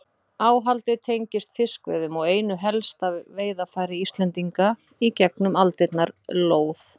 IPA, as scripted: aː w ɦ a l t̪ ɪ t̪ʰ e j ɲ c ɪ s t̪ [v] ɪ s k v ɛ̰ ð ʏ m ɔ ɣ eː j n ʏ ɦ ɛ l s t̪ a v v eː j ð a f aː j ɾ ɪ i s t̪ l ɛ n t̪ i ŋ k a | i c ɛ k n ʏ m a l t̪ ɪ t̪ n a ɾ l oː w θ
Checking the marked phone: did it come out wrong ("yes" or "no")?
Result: yes